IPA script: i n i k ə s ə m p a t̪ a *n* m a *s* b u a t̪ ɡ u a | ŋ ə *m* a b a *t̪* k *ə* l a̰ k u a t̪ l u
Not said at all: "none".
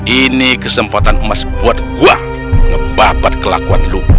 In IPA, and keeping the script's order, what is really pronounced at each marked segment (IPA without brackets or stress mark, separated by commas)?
n, s, b, t̪, ə